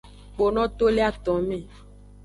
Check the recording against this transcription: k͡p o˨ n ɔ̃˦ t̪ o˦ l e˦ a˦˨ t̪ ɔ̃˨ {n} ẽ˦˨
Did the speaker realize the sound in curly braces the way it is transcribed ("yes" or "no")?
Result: no